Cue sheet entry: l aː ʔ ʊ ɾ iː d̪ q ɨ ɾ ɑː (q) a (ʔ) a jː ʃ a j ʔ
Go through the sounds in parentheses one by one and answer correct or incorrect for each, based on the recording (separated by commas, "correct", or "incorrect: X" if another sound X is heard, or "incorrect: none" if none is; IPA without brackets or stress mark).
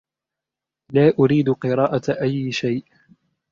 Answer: incorrect: ʔ, correct